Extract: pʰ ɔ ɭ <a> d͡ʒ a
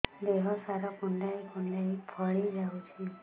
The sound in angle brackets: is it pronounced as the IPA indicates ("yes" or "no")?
no